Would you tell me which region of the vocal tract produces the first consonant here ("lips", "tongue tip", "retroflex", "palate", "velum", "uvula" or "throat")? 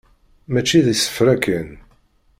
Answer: lips